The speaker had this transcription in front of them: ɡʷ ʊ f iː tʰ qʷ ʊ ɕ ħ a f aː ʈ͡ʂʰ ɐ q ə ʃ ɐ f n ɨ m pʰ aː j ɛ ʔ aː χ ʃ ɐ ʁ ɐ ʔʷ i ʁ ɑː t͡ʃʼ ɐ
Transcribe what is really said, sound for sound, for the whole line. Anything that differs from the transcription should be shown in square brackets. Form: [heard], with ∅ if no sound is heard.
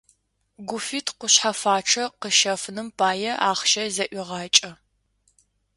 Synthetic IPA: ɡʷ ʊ f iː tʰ qʷ ʊ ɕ ħ a f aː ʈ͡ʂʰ ɐ q ə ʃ ɐ f n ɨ m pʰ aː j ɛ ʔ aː χ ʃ ɐ [z] ɐ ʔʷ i ʁ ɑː t͡ʃʼ ɐ